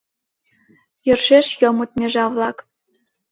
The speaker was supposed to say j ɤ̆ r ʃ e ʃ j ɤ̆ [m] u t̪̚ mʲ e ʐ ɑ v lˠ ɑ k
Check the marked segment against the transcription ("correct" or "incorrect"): correct